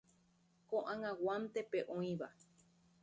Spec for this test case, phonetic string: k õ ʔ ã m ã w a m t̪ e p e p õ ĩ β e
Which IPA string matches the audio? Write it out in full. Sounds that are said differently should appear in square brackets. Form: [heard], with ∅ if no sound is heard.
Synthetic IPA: k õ ʔ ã [ŋ] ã w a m t̪ e p e [ʔ] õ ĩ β [a]

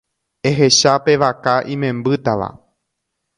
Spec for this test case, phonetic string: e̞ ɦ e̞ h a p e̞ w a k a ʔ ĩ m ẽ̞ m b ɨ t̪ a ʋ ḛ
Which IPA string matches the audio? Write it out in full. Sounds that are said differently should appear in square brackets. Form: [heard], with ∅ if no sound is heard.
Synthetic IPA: e̞ ɦ e̞ [ʃ] a p e̞ [ʋ] a k a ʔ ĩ m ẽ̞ m b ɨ t̪ a ʋ [a̰]

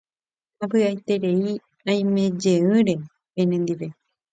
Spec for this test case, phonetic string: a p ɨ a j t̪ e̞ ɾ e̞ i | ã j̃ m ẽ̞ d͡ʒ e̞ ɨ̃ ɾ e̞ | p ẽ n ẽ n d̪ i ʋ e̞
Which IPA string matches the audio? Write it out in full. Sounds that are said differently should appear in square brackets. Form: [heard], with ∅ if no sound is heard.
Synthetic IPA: a p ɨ a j t̪ e̞ ɾ e̞ i | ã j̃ m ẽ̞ d͡ʒ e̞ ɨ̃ ɾ e̞ | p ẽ n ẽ n d̪ i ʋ e̞

